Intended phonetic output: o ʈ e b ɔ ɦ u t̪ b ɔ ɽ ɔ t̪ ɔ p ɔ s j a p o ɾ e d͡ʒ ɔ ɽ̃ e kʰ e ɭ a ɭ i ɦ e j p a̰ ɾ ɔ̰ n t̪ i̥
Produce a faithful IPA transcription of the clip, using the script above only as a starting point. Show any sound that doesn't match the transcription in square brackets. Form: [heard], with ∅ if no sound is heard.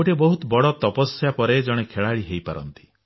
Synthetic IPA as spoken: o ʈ e b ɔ ɦ u t̪ b ɔ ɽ ɔ t̪ ɔ p ɔ s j a p [ɔ] ɾ e d͡ʒ ɔ ɽ̃ e kʰ e ɭ a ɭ i ɦ e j p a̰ ɾ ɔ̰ n t̪ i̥